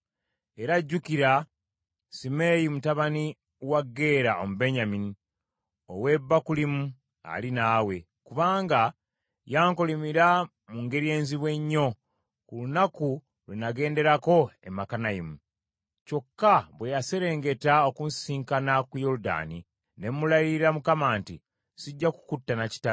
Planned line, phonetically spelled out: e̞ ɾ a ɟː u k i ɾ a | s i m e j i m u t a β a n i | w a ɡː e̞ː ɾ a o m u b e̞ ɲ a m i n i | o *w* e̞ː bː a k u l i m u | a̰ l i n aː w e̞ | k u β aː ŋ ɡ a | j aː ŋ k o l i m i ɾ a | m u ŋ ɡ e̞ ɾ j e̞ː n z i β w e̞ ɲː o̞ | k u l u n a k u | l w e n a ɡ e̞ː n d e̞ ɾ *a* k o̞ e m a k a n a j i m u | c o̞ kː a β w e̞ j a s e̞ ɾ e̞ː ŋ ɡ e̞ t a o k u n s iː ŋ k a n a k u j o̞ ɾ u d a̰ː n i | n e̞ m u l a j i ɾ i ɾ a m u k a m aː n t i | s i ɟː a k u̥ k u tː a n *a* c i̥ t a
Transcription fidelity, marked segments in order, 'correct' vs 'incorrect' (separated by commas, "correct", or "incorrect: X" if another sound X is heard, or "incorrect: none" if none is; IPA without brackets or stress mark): correct, correct, correct